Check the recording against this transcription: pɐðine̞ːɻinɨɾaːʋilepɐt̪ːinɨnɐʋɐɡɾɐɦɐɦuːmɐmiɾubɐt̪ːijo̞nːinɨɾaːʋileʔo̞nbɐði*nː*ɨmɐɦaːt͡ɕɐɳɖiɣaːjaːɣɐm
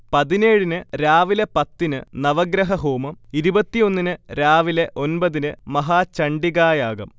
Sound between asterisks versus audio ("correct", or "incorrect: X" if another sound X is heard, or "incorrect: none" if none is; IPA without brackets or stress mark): incorrect: n